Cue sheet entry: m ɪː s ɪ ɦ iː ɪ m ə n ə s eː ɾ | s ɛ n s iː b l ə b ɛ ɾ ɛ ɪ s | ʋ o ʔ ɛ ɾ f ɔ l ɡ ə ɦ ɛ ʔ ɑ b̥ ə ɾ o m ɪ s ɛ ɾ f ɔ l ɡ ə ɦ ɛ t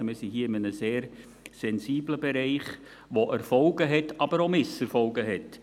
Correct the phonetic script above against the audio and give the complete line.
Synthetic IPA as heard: m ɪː s i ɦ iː ɪ m ə n ə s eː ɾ | s ɛ n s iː b l ə b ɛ ɾ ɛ ɪ χ | ʋ o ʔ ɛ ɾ f ɔ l ɡ ə ɦ ɛ t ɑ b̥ ə ɾ o m ɪ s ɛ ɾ f ɔ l ɡ ə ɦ ɛ t